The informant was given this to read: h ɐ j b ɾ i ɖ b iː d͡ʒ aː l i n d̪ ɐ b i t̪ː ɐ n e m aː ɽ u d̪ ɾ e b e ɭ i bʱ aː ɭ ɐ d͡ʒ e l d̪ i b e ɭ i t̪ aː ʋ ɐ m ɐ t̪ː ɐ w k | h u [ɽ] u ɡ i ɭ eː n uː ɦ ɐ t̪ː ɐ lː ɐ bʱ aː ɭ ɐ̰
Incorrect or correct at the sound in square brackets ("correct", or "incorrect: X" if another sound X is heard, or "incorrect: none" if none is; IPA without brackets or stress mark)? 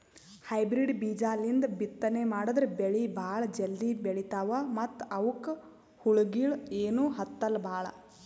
incorrect: ɭ